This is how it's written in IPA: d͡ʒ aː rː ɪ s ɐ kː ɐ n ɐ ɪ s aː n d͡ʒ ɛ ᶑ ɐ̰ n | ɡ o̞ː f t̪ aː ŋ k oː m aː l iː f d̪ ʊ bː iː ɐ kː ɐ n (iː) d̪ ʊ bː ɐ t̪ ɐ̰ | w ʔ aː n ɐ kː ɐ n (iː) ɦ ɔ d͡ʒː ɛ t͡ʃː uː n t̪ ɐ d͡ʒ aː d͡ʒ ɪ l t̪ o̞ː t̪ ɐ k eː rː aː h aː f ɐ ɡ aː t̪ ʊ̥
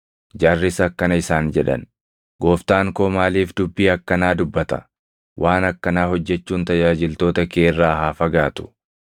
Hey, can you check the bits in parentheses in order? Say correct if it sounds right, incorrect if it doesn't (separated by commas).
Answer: incorrect, incorrect